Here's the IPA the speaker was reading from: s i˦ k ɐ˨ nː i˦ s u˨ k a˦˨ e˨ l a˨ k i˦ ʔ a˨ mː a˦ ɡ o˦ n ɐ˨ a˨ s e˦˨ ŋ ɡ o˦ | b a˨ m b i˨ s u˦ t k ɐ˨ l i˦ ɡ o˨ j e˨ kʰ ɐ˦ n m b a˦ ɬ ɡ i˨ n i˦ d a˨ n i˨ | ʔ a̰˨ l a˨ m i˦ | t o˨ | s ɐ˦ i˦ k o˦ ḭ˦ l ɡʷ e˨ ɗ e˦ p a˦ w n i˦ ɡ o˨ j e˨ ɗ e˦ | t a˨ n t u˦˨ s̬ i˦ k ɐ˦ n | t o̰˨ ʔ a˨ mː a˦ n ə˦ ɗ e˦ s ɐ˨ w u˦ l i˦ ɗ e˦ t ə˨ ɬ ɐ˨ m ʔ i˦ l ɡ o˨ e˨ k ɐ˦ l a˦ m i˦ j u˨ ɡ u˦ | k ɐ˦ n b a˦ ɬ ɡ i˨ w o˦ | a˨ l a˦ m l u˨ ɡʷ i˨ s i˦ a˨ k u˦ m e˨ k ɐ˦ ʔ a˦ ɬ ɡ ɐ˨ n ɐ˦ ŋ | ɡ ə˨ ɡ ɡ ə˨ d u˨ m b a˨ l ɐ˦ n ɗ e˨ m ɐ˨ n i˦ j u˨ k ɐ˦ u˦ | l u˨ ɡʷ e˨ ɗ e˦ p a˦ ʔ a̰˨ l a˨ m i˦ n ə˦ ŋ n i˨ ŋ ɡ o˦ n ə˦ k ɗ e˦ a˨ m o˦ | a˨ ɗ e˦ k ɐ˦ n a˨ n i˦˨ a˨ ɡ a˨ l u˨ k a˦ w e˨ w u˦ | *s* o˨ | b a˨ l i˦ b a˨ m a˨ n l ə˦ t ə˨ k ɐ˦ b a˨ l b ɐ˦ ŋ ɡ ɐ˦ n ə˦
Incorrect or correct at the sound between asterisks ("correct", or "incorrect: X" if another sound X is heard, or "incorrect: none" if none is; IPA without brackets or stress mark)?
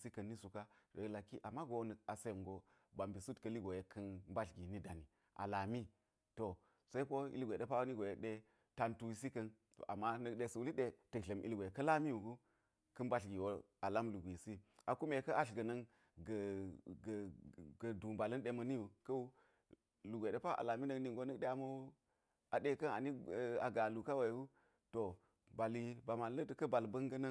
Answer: incorrect: t